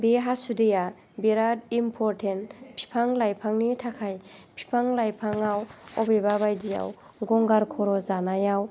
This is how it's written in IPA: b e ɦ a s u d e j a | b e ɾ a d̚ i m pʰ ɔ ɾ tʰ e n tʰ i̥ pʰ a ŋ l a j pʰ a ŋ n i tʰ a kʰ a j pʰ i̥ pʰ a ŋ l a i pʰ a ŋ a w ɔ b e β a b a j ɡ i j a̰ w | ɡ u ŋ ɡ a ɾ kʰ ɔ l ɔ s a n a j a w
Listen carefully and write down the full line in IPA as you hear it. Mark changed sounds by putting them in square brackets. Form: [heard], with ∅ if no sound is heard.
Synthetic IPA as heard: b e ɦ a s u d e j a | b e ɾ a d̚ i m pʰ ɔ ɾ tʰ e n [pʰ] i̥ pʰ a ŋ l a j pʰ a ŋ n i tʰ a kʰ a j pʰ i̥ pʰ a ŋ l a [j] pʰ a ŋ a w ɔ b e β a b a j [d] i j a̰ w | ɡ [ɔ] ŋ ɡ a ɾ kʰ ɔ [ɾ] ɔ [z] a n a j a w